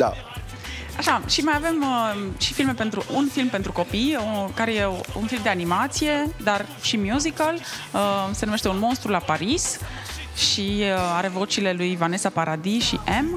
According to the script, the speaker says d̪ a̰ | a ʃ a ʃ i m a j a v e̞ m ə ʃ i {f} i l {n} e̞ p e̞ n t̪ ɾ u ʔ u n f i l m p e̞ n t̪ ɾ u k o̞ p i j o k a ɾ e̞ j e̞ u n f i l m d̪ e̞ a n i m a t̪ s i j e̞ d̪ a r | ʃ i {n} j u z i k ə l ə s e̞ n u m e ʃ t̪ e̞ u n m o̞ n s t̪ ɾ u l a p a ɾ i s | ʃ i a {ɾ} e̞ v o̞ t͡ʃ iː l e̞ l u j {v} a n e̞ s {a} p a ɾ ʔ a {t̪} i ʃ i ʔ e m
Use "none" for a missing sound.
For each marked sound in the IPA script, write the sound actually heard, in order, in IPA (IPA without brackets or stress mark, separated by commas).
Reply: f, m, m, ɾ, v, a, d̪